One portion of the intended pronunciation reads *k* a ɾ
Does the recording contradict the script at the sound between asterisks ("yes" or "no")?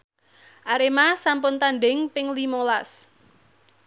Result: yes